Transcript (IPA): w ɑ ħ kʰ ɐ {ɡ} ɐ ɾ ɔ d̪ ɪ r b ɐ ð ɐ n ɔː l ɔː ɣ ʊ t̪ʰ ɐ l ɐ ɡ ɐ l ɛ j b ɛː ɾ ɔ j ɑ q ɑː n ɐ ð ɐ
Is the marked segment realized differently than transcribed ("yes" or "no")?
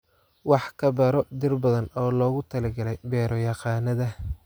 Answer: yes